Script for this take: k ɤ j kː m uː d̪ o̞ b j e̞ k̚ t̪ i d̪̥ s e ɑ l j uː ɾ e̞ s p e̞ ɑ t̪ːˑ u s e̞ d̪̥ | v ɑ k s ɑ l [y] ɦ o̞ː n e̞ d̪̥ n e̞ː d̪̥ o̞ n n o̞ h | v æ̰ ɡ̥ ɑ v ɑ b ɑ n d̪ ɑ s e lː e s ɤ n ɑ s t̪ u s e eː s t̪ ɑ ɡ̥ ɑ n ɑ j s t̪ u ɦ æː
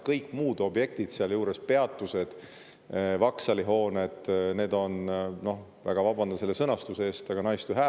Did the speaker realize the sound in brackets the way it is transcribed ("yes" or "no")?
no